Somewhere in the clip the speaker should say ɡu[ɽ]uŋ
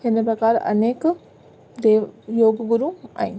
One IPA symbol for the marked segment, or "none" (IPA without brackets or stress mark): ɾ